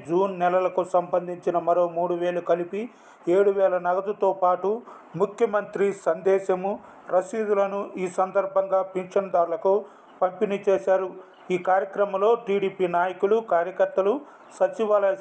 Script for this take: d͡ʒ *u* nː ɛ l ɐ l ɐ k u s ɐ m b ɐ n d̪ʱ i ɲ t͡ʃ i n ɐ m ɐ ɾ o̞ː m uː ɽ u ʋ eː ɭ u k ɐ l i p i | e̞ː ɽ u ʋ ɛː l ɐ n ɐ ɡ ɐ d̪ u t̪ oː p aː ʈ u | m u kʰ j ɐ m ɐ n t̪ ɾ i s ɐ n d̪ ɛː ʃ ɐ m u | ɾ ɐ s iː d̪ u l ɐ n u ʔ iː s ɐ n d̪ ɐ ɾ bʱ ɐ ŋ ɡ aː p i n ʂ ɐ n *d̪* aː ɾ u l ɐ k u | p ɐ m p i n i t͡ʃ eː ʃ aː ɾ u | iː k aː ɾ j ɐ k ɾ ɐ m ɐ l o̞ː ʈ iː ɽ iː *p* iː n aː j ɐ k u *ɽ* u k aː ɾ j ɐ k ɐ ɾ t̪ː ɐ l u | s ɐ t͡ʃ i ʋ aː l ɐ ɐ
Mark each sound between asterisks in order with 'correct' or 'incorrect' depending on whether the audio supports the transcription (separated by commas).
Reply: incorrect, correct, correct, incorrect